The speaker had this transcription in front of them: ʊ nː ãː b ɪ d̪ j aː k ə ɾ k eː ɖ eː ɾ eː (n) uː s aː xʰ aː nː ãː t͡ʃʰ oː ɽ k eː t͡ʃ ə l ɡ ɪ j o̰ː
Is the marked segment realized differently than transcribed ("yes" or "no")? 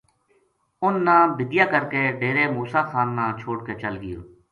yes